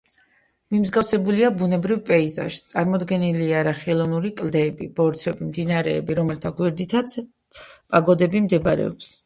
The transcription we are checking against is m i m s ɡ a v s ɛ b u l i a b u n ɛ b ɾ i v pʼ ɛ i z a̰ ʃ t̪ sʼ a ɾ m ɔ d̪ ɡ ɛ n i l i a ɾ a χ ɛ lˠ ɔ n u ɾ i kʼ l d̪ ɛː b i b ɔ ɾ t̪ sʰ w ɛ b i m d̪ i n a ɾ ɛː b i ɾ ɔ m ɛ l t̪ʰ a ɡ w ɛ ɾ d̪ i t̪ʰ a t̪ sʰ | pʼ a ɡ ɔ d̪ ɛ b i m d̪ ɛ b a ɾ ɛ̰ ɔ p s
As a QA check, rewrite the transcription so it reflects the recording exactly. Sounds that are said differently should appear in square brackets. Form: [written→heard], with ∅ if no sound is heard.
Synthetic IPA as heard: m i m [s→z] ɡ a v s ɛ b u l i a b u n ɛ b ɾ i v pʼ ɛ i z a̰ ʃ t̪ sʼ a ɾ m ɔ d̪ ɡ ɛ n i l i a ɾ a χ ɛ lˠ ɔ n u ɾ i kʼ l d̪ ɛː b i b ɔ ɾ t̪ sʰ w ɛ b i m d̪ i n a ɾ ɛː b i ɾ ɔ m ɛ l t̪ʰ a ɡ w ɛ ɾ d̪ i t̪ʰ a t̪ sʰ | pʼ a ɡ ɔ d̪ ɛ b i m d̪ ɛ b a ɾ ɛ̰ ɔ p s